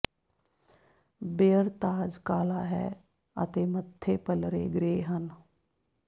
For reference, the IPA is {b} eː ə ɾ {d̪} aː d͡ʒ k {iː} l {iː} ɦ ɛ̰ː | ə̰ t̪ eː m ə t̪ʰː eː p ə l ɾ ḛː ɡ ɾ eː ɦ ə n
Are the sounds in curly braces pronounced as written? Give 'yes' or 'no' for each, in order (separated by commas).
yes, no, no, no